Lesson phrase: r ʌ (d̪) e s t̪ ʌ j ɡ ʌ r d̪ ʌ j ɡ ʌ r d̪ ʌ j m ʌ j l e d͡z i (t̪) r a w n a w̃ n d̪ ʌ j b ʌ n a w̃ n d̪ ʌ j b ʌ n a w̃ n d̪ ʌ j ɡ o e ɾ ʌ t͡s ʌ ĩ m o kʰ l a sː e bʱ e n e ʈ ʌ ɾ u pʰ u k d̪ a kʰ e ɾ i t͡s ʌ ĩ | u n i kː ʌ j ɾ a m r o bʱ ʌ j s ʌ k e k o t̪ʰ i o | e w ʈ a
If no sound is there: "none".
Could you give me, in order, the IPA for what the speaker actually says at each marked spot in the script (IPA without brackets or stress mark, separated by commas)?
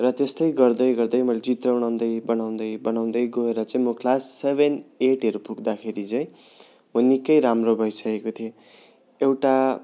t̪, t̪